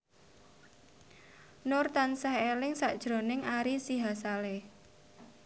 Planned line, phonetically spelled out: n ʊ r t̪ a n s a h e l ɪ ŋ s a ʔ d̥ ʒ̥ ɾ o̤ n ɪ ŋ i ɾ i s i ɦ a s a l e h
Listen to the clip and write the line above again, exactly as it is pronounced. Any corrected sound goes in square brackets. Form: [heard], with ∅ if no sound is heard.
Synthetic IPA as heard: n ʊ r t̪ a n s a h e l ɪ ŋ s a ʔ d̥ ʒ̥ ɾ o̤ n ɪ ŋ [a] ɾ i s i ɦ a s a l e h